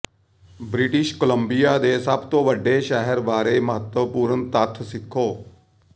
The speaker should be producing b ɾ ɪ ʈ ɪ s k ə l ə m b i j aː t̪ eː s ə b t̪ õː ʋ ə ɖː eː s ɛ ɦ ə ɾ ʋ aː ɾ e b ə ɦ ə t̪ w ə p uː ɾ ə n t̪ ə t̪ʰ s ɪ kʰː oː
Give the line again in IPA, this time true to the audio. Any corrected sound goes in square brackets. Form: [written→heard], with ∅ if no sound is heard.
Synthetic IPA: b ɾ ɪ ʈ ɪ [s→ʃ] k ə l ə m b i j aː [t̪→d̪] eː s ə b t̪ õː ʋ ə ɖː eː [s→ʃ] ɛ ɦ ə ɾ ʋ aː ɾ e [b→m] ə ɦ ə t̪ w ə p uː ɾ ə n t̪ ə t̪ʰ s ɪ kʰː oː